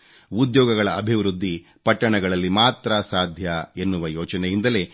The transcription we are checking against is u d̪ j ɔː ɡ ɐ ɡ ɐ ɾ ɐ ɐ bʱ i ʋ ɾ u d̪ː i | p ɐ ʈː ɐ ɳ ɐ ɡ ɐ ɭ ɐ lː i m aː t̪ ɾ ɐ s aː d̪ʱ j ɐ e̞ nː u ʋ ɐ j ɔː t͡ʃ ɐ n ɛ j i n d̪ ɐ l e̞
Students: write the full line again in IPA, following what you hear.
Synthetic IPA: u d̪ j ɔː ɡ ɐ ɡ ɐ ɭ ɐ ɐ bʱ i ʋ ɾ u d̪ː i | p ɐ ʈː ɐ ɳ ɐ ɡ ɐ ɭ ɐ lː i m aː t̪ ɾ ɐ s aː d̪ʱ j ɐ e̞ nː u ʋ ɐ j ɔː t͡ʃ ɐ n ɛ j i n d̪ ɐ l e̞